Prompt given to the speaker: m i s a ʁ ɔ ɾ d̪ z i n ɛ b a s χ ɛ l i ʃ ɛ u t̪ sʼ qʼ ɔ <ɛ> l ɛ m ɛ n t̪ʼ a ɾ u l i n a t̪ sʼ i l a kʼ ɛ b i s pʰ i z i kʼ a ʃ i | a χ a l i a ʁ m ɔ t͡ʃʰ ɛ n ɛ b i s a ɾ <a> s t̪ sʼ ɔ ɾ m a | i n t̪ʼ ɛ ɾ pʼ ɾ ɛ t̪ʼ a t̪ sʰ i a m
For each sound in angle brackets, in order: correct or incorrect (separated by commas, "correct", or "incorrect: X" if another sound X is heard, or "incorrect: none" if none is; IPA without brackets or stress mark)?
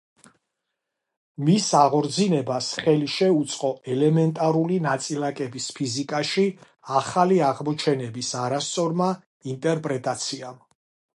correct, correct